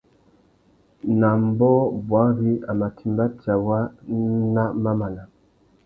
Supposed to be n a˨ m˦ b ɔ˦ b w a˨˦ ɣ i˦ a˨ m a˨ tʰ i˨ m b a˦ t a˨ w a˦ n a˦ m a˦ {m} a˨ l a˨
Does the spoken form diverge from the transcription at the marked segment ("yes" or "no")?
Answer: no